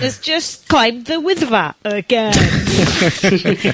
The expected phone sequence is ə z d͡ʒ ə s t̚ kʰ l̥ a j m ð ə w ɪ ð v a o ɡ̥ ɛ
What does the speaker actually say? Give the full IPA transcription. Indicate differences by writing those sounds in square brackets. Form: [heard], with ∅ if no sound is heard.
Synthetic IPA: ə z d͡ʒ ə s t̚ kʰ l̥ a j m ð ə w ɪ ð v a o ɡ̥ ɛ